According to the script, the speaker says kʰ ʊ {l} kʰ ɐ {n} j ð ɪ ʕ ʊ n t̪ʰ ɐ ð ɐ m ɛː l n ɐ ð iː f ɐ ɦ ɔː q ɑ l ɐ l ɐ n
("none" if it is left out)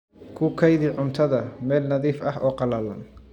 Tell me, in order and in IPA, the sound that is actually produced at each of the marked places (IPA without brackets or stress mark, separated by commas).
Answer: none, none